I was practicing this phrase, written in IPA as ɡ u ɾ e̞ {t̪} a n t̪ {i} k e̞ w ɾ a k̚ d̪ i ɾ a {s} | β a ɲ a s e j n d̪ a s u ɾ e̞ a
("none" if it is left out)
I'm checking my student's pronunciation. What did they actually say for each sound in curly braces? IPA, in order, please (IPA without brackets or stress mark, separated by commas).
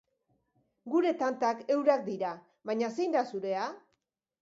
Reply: t̪, a, none